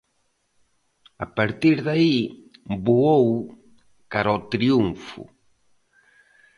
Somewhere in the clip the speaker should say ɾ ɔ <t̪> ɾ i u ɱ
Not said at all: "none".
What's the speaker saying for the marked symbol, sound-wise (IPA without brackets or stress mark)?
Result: t̪